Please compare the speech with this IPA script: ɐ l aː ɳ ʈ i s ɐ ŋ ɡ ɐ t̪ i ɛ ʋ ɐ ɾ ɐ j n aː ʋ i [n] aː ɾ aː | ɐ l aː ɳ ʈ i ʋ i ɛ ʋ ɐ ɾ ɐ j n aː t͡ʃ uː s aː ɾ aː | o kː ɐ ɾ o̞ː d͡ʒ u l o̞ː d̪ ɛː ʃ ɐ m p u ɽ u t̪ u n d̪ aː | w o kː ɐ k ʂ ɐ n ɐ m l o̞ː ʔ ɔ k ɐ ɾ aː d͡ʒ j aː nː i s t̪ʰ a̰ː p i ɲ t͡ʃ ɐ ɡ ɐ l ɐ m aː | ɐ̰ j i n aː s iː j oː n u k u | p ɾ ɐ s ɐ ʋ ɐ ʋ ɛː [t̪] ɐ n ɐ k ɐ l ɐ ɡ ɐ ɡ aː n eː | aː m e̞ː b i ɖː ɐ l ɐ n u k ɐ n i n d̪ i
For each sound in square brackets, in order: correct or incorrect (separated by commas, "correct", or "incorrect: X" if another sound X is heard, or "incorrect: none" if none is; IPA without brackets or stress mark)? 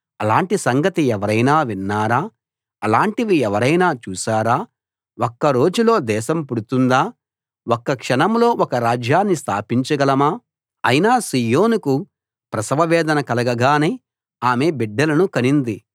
incorrect: nː, incorrect: d̪